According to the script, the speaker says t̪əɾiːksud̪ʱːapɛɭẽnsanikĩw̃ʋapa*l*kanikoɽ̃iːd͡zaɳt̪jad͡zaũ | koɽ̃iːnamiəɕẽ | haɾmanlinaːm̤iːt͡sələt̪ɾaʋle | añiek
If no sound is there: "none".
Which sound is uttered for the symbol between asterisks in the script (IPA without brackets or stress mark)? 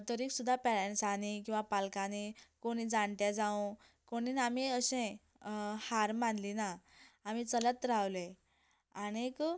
l